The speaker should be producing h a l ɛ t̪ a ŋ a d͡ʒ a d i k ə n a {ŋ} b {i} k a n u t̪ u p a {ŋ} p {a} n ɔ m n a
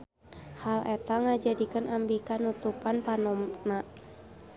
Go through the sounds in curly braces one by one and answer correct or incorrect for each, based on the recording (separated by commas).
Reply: incorrect, correct, incorrect, correct